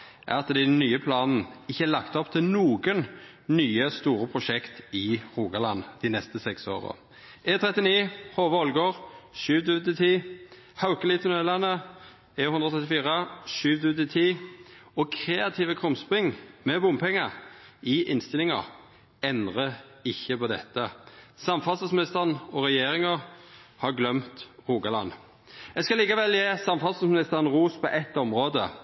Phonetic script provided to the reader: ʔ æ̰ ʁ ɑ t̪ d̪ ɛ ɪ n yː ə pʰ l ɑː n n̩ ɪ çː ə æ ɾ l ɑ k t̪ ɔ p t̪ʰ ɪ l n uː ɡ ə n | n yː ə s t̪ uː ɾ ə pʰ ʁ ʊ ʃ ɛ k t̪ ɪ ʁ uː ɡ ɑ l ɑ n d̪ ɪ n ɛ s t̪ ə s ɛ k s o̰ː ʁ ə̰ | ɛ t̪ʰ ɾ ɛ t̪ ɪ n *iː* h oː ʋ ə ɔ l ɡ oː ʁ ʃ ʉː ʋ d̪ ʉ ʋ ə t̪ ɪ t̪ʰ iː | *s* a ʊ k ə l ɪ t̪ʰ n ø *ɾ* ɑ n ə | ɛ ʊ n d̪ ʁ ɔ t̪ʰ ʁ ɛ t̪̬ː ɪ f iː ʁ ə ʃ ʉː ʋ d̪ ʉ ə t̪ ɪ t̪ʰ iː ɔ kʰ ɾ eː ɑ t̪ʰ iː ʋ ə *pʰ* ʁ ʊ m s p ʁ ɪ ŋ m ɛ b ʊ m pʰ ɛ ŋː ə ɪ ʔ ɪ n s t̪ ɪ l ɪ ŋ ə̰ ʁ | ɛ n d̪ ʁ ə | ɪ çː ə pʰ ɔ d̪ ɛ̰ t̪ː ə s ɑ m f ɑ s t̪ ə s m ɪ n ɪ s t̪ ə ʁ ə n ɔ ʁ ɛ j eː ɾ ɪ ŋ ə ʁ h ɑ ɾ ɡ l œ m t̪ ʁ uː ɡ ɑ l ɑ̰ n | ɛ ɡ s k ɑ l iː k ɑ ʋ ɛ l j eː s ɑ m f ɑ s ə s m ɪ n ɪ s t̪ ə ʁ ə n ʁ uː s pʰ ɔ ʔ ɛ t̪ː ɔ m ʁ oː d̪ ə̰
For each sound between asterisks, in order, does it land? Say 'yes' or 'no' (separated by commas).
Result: yes, no, no, no